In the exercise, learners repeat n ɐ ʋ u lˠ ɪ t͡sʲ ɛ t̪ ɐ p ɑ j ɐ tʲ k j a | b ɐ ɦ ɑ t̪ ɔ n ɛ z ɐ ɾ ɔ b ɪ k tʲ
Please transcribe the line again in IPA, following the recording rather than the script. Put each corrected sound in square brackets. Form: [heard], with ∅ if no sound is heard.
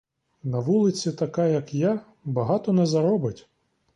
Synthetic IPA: n ɐ ʋ u lˠ ɪ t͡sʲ [i] t̪ ɐ [k] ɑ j ɐ [∅] k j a | b ɐ ɦ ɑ t̪ ɔ n ɛ z ɐ ɾ ɔ b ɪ [∅] tʲ